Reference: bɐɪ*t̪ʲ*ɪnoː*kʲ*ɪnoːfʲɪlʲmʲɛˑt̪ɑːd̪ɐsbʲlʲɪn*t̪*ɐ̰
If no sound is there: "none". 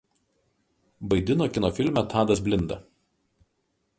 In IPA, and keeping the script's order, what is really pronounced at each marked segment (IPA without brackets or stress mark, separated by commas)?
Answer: d̪ʲ, kʲ, d̪